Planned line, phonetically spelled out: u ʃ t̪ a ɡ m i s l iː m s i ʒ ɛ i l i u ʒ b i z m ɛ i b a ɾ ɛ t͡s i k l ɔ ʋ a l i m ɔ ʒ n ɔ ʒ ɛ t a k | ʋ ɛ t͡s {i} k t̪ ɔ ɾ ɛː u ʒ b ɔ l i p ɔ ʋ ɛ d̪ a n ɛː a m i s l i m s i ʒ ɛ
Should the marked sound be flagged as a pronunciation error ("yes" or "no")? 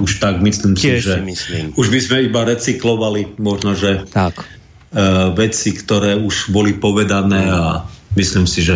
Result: no